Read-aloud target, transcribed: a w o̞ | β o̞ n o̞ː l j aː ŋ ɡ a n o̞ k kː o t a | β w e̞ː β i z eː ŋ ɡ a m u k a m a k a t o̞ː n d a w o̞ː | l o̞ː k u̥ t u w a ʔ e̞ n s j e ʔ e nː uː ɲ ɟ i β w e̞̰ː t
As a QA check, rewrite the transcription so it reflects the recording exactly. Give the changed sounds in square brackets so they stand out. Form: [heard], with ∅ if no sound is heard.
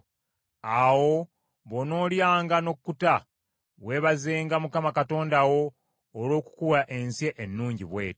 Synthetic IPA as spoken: a w o̞ | β o̞ n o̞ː l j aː ŋ ɡ a n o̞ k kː [u] t a | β w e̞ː β [a] z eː ŋ ɡ a m u k a m a k a t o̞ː n d a w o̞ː | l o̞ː k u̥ [k] u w a ʔ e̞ n s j e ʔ e nː uː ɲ ɟ i β w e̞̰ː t